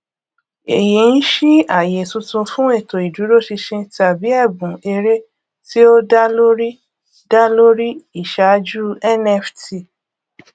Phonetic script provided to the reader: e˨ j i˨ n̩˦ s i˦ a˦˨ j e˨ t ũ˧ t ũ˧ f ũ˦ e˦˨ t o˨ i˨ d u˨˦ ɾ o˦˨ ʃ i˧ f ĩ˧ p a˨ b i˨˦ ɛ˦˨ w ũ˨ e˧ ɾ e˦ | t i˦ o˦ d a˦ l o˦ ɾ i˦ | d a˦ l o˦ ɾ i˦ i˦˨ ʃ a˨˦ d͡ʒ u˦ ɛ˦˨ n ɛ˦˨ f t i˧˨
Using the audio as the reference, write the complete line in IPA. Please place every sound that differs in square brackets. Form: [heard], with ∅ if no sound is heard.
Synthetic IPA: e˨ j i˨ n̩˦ [ʃ] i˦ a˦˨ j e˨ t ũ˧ t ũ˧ f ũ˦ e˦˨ t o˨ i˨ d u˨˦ ɾ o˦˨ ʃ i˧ [ʃ] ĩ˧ [t] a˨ b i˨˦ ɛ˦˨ [b] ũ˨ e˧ ɾ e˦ | t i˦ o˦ d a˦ l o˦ ɾ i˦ | d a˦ l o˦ ɾ i˦ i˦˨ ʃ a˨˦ d͡ʒ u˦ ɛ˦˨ n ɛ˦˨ f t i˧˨